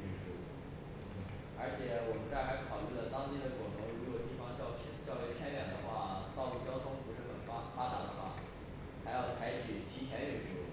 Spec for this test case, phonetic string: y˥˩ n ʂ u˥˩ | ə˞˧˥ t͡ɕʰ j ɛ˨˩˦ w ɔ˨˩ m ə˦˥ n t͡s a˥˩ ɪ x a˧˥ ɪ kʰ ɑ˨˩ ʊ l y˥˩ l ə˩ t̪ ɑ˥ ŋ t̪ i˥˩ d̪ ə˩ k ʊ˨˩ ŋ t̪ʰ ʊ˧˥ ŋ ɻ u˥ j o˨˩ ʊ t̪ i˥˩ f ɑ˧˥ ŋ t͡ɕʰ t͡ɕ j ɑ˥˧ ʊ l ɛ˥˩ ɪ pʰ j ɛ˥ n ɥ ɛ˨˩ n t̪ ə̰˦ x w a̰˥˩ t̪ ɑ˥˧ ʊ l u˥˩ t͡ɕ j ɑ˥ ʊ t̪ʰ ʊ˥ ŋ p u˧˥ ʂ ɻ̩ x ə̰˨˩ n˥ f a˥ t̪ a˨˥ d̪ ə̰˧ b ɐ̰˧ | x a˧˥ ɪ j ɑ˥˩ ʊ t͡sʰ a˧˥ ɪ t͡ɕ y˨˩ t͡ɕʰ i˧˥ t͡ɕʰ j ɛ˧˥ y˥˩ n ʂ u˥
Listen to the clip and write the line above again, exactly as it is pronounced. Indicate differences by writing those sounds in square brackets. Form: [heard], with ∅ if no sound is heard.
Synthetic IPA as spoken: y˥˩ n ʂ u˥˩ | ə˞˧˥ t͡ɕʰ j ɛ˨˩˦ w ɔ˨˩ m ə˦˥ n t͡s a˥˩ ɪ x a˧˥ ɪ kʰ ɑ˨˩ ʊ l y˥˩ l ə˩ t̪ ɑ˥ ŋ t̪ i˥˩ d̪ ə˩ k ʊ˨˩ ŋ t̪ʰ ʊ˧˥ ŋ ɻ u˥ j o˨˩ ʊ t̪ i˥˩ f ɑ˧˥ ŋ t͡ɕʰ t͡ɕ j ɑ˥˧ ʊ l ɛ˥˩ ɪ pʰ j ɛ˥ n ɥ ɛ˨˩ n [d̪] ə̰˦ x w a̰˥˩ t̪ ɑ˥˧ ʊ l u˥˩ t͡ɕ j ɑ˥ ʊ t̪ʰ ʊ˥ ŋ p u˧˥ ʂ ɻ̩ x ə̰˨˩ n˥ f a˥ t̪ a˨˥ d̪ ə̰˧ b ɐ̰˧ | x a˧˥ ɪ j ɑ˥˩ ʊ t͡sʰ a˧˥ ɪ [t͡ɕʰ] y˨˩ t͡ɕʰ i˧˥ t͡ɕʰ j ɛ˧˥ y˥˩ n ʂ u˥